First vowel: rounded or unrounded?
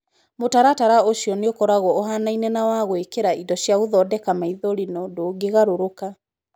rounded